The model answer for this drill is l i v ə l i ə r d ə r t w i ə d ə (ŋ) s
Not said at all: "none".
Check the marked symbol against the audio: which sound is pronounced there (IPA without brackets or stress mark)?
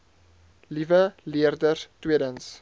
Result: n